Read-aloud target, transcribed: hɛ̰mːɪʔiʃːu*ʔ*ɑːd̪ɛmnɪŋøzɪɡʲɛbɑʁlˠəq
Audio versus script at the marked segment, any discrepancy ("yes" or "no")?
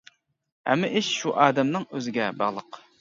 no